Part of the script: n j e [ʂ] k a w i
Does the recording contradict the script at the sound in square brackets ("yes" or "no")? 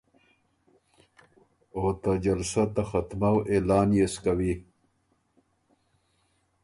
yes